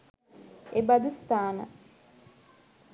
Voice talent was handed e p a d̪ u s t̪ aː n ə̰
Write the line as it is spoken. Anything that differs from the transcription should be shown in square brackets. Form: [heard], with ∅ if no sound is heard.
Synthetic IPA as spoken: e [b] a d̪ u s t̪ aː n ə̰